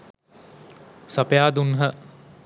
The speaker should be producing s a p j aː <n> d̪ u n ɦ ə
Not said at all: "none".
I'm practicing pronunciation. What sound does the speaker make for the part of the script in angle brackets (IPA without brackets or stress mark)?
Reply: none